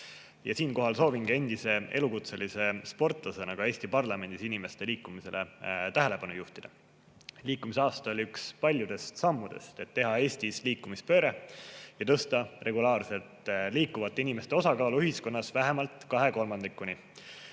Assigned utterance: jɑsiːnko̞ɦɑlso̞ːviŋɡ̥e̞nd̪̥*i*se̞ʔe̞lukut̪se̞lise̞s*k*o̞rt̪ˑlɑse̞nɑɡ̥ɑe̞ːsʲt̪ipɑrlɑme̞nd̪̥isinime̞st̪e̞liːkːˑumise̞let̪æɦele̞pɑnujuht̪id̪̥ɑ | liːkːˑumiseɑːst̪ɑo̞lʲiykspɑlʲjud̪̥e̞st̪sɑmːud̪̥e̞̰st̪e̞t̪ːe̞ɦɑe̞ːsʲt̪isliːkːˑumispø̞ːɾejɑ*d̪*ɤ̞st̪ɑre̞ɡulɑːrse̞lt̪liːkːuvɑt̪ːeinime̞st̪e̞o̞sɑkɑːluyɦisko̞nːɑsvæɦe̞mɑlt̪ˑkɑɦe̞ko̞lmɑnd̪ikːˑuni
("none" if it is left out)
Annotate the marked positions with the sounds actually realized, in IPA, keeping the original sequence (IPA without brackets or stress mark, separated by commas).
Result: i, p, t̪